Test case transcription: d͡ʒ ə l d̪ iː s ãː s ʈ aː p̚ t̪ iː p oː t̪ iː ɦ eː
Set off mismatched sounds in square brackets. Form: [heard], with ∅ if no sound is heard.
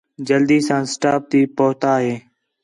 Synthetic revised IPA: d͡ʒ ə l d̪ iː s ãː s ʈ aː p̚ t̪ iː p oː t̪ [aː] ɦ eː